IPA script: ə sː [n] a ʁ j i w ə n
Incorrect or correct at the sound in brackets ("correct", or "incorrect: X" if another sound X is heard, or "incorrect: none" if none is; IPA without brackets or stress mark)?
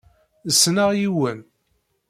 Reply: correct